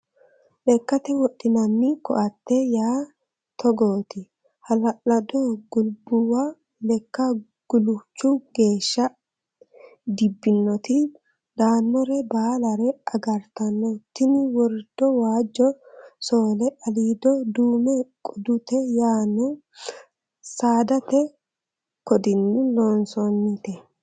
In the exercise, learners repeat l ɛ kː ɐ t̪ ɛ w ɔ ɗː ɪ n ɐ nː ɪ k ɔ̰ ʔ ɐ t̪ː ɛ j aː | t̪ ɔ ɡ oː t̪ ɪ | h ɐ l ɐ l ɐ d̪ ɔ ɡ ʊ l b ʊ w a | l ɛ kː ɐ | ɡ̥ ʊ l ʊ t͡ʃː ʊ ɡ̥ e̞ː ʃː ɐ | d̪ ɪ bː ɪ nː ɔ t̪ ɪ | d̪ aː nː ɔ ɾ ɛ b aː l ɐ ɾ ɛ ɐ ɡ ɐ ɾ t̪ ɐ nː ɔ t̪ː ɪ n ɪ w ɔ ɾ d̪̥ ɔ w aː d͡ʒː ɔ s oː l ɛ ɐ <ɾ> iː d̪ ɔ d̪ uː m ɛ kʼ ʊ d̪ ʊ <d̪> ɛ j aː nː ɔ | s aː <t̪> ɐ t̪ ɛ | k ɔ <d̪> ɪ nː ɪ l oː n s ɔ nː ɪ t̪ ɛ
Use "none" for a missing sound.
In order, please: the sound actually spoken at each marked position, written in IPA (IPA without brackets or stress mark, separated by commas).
l, t̪, d̪, d̪